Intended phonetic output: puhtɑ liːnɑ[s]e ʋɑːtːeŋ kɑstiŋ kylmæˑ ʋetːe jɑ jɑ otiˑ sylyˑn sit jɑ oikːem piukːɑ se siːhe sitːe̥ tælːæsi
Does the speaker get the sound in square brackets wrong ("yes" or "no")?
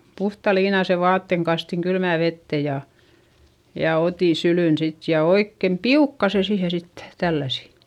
no